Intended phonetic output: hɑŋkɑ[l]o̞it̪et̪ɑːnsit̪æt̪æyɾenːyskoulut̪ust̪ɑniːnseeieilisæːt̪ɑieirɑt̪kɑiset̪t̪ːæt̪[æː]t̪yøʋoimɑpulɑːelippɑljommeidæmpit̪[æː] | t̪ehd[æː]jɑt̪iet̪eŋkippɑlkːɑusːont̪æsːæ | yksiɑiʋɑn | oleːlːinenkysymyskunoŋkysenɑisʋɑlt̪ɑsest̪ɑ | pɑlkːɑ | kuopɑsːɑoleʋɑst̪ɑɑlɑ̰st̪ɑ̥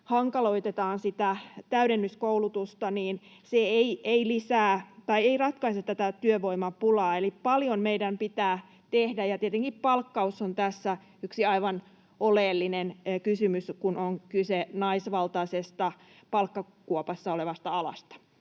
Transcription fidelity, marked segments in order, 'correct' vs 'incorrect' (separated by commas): correct, incorrect, correct, incorrect